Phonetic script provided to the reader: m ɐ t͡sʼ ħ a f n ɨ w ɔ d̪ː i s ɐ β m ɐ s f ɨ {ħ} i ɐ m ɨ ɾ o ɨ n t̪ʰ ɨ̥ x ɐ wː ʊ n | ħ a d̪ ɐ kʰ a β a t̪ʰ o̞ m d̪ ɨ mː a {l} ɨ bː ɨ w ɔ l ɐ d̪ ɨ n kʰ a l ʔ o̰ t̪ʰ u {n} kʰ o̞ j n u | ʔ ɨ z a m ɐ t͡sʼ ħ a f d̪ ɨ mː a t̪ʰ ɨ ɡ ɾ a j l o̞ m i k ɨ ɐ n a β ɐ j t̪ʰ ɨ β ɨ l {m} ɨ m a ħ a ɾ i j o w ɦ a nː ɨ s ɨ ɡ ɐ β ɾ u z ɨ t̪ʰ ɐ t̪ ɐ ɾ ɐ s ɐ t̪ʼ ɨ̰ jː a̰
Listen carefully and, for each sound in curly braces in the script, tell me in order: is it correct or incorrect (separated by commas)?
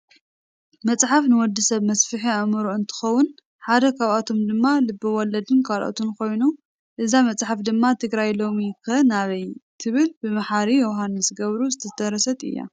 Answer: correct, correct, correct, incorrect